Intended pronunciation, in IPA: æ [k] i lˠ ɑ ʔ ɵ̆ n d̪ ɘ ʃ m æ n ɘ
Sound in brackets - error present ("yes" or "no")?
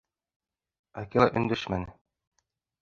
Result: no